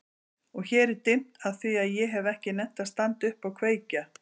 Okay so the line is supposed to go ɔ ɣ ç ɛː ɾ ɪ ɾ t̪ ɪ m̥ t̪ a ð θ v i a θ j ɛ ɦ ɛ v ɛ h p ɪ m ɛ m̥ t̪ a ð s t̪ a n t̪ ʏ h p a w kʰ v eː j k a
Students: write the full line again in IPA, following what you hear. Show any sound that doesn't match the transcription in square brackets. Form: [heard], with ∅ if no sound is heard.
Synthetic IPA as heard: ɔ ɣ ç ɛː ɾ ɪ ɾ t̪ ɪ m̥ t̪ a ð θ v i a [ð] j ɛ ɦ ɛ v ɛ h [c] ɪ [n] ɛ m̥ t̪ a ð s t̪ a n t̪ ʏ h p a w kʰ v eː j [c] a